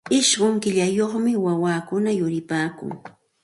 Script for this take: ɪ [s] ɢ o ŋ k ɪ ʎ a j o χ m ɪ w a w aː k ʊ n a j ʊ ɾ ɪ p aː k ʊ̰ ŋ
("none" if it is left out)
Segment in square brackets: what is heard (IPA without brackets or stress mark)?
ʃ